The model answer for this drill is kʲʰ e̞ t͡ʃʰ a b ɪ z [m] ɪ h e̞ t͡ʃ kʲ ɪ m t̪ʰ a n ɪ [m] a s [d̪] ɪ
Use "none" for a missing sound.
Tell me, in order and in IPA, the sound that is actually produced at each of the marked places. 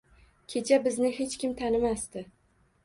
n, m, t̪

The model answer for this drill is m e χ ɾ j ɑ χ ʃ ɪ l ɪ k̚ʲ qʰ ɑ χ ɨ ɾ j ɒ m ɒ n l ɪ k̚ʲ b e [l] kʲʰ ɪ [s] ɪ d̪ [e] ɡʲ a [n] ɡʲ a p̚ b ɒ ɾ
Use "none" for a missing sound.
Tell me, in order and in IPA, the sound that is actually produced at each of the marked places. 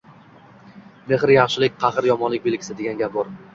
l, s, e, n

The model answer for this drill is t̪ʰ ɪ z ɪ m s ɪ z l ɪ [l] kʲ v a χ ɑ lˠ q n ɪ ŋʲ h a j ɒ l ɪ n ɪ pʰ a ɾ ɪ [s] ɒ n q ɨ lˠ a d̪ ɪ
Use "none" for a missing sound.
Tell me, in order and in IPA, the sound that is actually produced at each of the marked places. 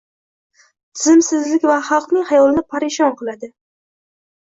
none, ʃ

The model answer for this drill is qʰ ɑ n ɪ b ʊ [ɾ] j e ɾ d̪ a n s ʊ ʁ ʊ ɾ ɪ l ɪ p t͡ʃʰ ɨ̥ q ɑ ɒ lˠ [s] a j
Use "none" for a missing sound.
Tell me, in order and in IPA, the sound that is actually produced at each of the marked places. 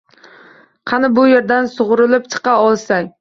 none, s

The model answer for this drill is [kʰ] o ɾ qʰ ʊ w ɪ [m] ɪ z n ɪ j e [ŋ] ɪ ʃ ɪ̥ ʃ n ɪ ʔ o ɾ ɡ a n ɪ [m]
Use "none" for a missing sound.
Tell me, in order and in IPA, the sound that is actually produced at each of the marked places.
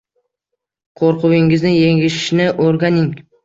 qʰ, ŋ, ŋ, ŋ

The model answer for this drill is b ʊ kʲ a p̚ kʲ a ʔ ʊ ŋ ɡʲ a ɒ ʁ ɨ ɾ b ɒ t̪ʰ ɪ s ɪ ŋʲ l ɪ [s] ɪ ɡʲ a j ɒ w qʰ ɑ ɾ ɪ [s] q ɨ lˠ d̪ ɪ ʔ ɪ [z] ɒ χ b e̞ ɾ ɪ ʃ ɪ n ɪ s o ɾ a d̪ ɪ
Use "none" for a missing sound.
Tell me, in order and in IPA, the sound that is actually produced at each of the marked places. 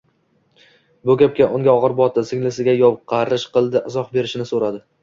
s, ʃ, z

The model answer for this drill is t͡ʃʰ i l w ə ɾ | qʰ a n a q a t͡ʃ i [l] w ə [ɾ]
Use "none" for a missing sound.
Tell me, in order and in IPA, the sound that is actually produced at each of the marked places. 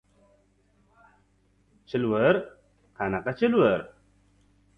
l, ɾ

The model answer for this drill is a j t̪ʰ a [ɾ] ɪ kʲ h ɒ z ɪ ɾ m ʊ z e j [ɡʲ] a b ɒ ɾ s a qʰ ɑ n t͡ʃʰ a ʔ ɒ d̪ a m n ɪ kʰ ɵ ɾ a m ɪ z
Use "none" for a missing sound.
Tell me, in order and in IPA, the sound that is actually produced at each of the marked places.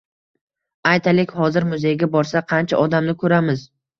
l, ɡʲ

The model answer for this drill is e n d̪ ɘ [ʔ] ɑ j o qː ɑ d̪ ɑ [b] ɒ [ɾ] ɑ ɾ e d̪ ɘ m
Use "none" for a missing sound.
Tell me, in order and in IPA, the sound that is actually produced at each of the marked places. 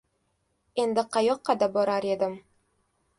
q, b, ɾ

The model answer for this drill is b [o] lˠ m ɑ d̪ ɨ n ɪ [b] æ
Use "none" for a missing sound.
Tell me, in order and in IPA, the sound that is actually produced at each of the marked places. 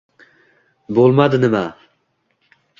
o, m

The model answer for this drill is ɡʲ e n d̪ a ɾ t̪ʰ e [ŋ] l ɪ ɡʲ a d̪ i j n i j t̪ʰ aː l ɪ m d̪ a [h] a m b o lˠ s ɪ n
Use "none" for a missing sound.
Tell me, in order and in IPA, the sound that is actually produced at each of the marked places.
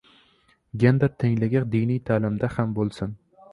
ŋ, h

